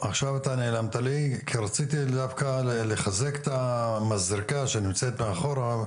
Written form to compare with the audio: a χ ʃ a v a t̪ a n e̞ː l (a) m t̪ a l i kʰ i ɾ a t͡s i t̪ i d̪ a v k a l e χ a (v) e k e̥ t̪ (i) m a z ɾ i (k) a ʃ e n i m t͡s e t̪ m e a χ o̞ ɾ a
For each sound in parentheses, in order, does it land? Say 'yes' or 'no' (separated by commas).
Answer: yes, no, no, yes